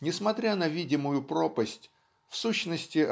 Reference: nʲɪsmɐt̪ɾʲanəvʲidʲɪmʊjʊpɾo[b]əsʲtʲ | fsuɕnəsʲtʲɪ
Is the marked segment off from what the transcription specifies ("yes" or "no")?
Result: yes